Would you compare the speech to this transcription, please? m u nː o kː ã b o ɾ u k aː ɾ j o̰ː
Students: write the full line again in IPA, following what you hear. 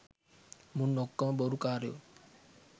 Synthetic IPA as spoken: m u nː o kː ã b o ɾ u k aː ɾ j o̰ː

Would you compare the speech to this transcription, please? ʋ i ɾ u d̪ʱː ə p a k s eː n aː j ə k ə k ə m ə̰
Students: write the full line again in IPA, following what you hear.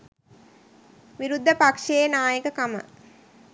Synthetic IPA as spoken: ʋ i ɾ u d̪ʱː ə p a k ʂ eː n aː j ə k ə k a m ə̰

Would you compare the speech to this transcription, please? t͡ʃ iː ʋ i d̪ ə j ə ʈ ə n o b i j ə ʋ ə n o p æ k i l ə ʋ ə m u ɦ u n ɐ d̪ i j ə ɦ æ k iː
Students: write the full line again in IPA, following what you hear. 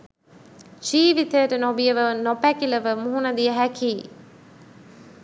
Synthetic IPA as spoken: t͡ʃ iː ʋ i t̪ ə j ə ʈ ə n o b i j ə ʋ ə n o p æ k i l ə ʋ ə m u ɦ u n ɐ d̪ i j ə ɦ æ k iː

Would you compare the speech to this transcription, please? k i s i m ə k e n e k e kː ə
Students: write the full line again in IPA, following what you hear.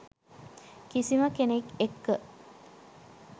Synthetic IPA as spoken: k i s i m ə k e n e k e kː ə

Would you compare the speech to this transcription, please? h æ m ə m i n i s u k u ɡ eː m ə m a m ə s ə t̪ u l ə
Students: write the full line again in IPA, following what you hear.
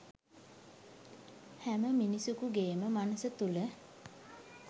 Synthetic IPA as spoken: h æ m ə m i n i s u k u ɡ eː m ə m a n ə s ə t̪ u l ə

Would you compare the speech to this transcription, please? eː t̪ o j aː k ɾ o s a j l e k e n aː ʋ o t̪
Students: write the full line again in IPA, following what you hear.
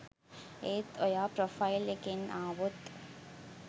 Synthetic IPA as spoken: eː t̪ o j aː p ɾ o f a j l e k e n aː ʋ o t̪

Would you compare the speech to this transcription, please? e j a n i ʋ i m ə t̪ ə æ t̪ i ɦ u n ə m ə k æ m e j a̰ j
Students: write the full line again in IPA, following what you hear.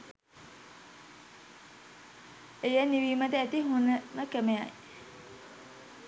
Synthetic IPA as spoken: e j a n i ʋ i m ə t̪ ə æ t̪ i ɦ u n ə m ə k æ m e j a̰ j

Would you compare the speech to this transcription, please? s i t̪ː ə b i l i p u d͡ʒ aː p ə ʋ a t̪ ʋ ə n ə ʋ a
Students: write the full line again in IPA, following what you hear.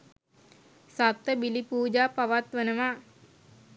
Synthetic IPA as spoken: s a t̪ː ə b i l i p uː d͡ʒ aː p a ʋ a t̪ ʋ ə n ə ʋ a

